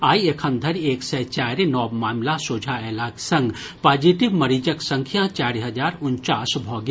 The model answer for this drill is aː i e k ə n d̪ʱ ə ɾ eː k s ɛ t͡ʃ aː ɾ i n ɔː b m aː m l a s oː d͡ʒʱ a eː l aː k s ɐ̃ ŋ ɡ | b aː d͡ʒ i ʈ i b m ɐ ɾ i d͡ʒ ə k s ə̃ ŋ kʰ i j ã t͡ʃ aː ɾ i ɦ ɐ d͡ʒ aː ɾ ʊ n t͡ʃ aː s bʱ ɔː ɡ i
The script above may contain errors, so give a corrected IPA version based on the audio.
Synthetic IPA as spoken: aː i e kʰ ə n d̪ʱ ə ɾ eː k s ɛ t͡ʃ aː ɾ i n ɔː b m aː m l a s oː d͡ʒʱ a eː l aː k s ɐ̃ ŋ ɡ | p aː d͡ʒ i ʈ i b m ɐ ɾ i d͡ʒ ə k s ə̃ ŋ kʰ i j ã t͡ʃ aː ɾ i ɦ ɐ d͡ʒ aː ɾ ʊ n t͡ʃ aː s bʱ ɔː ɡ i